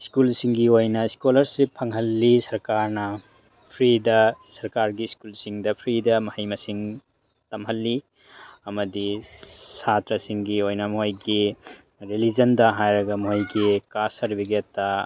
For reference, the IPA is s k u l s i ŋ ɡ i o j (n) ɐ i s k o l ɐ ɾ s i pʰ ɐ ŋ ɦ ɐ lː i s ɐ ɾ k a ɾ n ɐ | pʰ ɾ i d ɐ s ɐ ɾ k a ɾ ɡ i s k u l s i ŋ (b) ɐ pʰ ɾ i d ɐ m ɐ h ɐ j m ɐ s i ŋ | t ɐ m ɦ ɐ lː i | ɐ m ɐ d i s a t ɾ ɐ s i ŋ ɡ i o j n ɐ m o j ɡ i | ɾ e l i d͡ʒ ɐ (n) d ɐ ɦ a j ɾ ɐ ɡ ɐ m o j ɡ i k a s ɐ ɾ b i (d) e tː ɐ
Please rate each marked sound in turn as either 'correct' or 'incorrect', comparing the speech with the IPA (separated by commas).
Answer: correct, incorrect, correct, incorrect